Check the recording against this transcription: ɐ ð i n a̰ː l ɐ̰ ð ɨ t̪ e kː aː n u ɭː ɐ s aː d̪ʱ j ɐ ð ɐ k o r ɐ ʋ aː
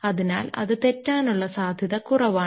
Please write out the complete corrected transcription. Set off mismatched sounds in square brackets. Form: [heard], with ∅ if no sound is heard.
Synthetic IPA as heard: ɐ ð i n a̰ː l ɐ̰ ð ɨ t̪ e [tː] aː n u ɭː ɐ s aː d̪ʱ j ɐ ð ɐ k [u] r ɐ ʋ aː